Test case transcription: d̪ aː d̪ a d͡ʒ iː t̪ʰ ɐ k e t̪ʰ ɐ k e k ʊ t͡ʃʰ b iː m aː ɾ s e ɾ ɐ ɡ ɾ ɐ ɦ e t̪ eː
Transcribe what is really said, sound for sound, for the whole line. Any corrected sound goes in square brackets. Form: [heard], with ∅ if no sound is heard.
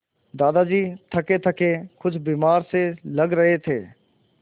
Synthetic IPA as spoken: d̪ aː d̪ a d͡ʒ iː t̪ʰ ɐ k e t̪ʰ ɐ k e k ʊ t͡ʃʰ b iː m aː ɾ s e [l] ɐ ɡ ɾ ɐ ɦ e [t̪ʰ] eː